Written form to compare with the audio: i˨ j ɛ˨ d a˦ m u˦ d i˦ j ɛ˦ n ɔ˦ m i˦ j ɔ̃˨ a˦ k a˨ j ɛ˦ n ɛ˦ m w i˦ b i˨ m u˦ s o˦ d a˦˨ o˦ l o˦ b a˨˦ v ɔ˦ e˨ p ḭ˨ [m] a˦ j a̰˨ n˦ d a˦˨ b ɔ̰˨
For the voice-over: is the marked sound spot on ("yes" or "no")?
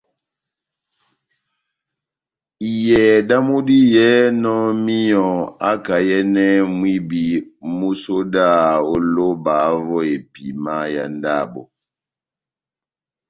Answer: yes